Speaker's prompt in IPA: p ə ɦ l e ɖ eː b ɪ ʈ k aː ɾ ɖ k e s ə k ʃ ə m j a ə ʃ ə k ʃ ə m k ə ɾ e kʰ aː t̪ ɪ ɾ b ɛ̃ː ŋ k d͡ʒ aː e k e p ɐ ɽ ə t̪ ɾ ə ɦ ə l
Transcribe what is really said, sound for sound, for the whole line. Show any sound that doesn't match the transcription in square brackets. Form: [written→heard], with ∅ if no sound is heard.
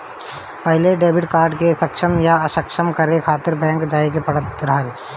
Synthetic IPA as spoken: p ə ɦ l e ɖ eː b ɪ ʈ k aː ɾ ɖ k e s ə k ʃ ə m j a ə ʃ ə k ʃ ə m k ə ɾ e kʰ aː t̪ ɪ ɾ b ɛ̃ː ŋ k d͡ʒ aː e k e p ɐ ɽ ə t̪ ɾ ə ɦ ə l